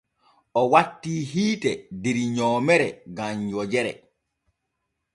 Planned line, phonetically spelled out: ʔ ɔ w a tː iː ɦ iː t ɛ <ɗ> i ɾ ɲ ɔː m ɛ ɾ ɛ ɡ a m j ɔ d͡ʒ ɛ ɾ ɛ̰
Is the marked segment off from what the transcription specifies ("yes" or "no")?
yes